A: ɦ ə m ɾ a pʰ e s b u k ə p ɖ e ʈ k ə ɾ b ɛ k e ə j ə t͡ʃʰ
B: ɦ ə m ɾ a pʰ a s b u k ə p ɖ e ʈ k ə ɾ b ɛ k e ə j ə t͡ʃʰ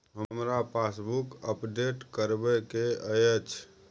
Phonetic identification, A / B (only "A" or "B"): B